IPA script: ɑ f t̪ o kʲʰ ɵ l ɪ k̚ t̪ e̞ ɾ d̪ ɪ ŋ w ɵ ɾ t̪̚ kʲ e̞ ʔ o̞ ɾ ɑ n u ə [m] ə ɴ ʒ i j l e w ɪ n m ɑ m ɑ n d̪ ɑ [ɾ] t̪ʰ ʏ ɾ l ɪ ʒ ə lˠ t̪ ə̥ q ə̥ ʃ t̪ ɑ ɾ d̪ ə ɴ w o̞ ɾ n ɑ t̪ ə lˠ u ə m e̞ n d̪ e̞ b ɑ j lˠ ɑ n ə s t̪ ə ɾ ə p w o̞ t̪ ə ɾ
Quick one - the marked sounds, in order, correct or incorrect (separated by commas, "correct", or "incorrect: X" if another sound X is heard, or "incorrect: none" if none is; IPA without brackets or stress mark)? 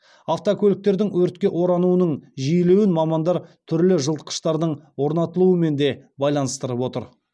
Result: incorrect: n, correct